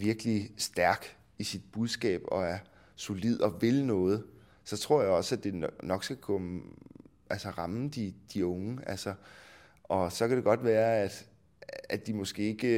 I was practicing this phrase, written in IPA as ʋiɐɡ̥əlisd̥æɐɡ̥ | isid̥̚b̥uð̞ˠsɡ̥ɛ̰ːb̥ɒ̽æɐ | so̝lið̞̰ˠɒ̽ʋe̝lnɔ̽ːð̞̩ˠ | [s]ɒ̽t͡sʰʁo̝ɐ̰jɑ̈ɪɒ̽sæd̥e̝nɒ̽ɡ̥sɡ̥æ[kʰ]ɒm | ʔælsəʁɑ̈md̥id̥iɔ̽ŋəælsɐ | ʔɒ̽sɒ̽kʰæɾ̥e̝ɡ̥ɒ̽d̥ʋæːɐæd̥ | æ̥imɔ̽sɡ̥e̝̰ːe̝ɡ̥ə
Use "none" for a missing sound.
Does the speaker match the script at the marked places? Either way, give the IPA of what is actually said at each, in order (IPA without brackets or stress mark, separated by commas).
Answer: s, kʰ